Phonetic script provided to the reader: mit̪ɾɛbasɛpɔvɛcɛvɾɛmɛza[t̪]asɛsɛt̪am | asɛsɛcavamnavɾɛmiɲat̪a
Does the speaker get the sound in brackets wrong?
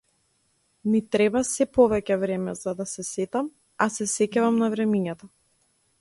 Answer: yes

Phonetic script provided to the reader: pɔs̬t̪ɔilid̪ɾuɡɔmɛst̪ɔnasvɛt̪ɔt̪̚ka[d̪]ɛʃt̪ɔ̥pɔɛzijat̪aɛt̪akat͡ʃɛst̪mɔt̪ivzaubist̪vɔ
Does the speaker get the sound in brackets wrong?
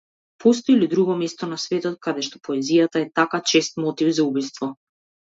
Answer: no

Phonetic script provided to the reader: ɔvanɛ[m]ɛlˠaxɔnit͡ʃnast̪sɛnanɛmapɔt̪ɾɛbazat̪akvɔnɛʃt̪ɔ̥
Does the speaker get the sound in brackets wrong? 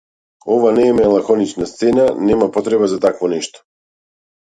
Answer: no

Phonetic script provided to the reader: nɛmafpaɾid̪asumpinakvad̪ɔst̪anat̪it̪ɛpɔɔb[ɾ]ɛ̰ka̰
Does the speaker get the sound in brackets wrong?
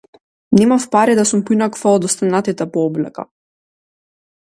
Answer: yes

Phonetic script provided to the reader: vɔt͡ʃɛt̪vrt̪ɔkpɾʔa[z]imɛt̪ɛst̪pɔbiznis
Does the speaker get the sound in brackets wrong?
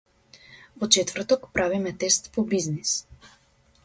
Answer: yes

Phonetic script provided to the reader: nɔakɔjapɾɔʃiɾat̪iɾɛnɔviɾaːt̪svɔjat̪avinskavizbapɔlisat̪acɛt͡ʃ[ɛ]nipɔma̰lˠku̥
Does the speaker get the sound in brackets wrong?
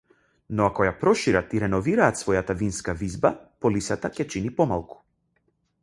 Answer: yes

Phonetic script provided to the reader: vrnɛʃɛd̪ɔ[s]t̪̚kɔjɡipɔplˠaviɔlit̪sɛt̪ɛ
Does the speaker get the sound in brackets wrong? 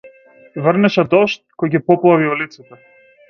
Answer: yes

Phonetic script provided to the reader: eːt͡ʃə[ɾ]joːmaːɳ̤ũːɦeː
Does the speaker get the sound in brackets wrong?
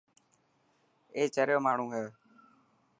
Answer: no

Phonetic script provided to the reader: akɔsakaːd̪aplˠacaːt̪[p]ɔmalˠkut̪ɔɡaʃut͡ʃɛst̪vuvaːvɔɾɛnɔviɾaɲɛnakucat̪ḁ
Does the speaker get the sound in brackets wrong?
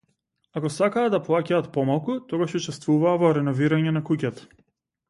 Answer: no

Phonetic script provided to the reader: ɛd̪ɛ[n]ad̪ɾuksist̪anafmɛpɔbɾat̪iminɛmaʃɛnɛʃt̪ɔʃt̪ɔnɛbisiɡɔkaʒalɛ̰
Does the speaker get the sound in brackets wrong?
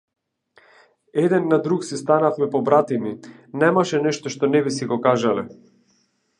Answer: yes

